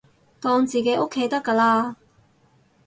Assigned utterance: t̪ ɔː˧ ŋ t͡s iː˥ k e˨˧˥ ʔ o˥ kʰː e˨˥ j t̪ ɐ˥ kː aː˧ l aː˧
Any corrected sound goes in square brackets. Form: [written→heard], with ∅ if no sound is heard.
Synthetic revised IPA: t̪ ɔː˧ ŋ t͡s [iː˥→iː˨] k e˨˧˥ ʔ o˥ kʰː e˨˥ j t̪ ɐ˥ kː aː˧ l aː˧